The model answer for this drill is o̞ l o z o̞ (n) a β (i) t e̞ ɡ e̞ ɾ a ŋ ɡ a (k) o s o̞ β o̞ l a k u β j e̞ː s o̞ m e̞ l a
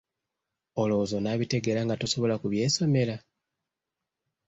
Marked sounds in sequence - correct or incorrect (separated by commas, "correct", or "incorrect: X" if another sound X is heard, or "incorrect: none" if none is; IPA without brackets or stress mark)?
correct, correct, incorrect: t